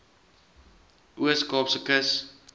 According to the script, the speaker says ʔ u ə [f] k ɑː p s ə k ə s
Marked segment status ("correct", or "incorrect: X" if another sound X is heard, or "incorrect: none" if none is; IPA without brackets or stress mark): incorrect: s